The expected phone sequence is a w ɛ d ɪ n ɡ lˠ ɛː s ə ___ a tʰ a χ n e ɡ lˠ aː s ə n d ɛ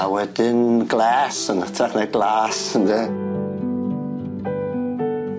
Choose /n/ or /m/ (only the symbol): n